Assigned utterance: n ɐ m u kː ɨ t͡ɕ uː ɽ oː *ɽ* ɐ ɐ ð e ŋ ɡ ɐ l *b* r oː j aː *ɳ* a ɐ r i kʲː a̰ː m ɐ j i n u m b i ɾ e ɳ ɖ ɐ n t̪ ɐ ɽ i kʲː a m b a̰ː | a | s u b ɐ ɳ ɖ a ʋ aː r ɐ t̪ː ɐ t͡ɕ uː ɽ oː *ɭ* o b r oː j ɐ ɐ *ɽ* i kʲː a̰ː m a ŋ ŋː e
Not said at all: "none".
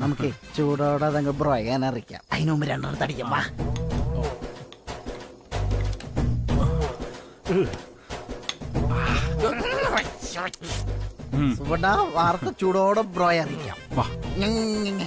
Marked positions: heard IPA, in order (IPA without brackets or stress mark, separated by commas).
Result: ɽ, b, n, ɽ, r